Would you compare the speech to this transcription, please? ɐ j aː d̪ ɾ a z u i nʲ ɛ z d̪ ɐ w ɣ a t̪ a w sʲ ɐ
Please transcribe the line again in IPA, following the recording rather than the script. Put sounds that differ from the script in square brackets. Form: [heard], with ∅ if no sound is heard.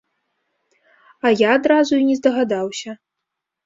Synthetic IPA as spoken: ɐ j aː d̪ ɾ a z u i nʲ ɛ z d̪ ɐ [∅] ɣ a [d̪] a w sʲ ɐ